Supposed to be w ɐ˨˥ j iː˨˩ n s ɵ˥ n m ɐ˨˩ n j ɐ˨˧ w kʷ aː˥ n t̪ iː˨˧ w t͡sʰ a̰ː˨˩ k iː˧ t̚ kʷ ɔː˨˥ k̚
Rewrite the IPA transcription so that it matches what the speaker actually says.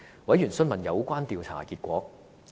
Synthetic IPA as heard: w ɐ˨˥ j yː˨˩ n s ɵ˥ n m ɐ˨˩ n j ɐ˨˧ w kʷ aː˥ n t̪ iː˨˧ w t͡sʰ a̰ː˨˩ k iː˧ t̚ kʷ ɔː˨˥ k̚